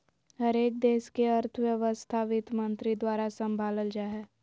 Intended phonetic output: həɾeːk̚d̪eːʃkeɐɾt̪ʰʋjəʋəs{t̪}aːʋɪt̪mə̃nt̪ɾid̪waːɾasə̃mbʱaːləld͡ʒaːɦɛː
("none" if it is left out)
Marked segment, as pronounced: t̪ʰ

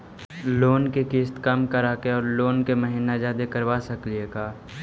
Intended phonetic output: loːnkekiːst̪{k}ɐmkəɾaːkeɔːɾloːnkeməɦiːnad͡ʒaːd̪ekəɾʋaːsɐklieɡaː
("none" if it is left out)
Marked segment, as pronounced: k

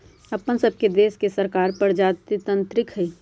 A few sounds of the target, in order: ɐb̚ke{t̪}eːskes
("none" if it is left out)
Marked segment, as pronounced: d̪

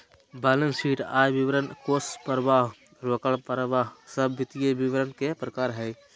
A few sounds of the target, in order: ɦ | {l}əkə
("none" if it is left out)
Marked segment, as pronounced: ɾ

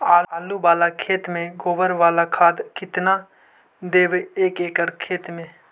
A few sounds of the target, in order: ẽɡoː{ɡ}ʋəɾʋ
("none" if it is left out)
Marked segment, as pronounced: none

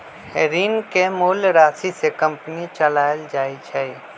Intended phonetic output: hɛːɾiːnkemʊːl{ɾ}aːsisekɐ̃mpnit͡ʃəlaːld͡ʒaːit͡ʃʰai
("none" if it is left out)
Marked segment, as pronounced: ɾ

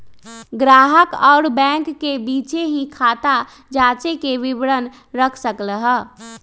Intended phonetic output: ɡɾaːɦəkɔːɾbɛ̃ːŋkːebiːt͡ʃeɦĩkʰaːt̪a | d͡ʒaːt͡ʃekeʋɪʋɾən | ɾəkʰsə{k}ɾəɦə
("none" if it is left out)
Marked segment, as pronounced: k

